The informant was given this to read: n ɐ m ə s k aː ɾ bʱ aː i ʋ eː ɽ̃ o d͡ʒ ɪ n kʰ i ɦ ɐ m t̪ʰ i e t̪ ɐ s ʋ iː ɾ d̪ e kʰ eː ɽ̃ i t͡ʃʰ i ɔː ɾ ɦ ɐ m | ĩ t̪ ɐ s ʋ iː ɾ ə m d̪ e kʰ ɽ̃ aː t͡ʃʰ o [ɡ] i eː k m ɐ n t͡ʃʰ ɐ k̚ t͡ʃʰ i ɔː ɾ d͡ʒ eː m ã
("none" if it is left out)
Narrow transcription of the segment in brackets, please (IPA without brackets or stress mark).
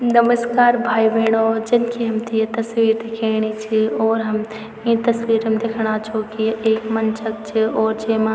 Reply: k